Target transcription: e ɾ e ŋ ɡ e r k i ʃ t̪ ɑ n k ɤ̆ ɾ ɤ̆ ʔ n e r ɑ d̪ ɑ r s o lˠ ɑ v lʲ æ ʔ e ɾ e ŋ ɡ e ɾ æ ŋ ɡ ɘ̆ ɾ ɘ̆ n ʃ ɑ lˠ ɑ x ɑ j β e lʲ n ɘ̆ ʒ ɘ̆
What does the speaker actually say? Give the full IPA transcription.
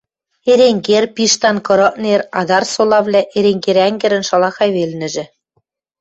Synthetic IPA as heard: e ɾ e ŋ ɡ e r p i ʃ t̪ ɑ n k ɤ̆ ɾ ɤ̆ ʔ n e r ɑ d̪ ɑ r s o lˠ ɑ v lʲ æ ʔ e ɾ e ŋ ɡ e ɾ æ ŋ ɡ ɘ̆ ɾ ɘ̆ n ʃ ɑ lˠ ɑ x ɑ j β e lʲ n ɘ̆ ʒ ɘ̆